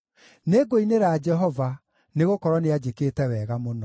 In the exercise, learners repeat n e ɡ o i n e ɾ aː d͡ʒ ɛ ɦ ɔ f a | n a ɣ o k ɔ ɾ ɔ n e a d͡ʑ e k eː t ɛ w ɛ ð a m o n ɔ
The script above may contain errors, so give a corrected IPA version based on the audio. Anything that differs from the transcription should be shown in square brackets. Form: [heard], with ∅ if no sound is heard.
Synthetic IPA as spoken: n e ɡ o i n e ɾ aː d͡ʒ ɛ ɦ ɔ [v] a | n [e] ɣ o k ɔ ɾ ɔ n e a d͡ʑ e k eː t ɛ w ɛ [ɣ] a m o n ɔ